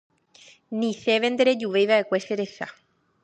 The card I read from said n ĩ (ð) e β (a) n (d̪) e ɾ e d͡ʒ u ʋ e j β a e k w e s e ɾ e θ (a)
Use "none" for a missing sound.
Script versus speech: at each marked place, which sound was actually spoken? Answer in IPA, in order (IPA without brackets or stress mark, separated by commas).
θ, e, d̪, a